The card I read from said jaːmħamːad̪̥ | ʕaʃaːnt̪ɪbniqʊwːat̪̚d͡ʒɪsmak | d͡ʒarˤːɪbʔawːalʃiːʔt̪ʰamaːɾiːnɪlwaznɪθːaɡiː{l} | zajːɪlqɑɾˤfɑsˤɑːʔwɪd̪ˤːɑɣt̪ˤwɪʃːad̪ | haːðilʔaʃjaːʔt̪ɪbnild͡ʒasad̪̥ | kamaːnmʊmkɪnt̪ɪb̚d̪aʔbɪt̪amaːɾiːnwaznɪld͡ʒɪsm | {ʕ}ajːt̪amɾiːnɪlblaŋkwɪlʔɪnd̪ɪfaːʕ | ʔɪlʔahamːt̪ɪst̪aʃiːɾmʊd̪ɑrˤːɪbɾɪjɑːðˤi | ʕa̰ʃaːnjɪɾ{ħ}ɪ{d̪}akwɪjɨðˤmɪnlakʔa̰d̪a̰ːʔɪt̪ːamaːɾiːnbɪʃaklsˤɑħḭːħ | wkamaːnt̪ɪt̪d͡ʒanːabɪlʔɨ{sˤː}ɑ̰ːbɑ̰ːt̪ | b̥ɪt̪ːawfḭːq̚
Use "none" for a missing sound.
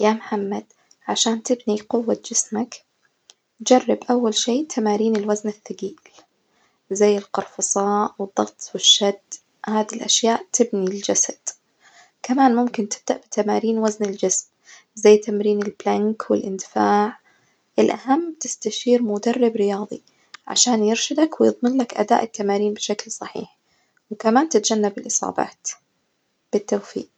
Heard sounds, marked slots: l, z, ʃ, d̪, sˤ

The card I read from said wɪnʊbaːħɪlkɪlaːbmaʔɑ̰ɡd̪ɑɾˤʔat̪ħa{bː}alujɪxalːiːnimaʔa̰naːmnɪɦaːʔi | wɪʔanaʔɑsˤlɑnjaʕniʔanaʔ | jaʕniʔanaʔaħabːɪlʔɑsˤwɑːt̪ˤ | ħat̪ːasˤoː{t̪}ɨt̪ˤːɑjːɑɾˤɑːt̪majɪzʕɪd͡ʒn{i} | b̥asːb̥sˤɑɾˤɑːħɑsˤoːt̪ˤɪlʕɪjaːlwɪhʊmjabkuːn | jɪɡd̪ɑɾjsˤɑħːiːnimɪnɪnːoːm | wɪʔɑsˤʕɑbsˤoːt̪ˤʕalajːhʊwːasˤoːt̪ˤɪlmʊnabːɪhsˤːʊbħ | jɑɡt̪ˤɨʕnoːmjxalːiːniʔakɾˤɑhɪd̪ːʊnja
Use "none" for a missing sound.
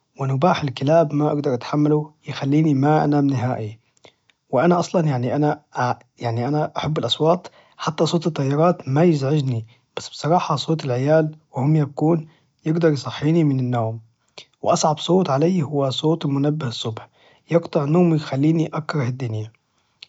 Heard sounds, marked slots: mː, t̪, i

